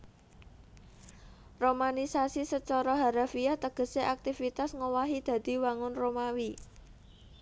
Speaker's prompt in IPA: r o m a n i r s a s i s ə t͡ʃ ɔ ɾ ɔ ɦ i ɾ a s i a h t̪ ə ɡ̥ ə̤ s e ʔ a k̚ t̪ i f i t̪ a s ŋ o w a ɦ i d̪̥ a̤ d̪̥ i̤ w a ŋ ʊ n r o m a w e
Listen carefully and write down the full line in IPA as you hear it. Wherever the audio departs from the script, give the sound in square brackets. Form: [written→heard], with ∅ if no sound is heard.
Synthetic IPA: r o m a n i [r→∅] s a s i s ə t͡ʃ ɔ ɾ ɔ ɦ [i→a] ɾ a [s→f] i a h t̪ ə ɡ̥ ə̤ s e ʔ a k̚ t̪ i f i t̪ a s ŋ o w a ɦ i d̪̥ a̤ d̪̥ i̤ w a ŋ ʊ n r o m a w [e→i]